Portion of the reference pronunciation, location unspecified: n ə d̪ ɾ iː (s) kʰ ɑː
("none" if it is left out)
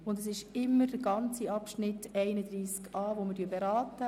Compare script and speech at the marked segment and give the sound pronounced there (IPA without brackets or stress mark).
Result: s